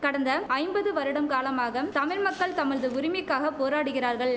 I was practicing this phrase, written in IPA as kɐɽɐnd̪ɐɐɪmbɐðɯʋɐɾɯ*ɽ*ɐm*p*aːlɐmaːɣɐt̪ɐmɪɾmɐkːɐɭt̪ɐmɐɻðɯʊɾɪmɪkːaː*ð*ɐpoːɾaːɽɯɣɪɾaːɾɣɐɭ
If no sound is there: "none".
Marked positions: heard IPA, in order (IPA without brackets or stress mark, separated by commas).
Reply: ɽ, k, ɣ